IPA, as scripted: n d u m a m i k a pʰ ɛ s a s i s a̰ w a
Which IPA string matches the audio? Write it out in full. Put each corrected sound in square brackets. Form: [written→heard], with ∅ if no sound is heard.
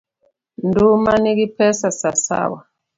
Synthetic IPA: n d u m a [m→n] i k [a→i] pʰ ɛ s a s [i→a] s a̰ w a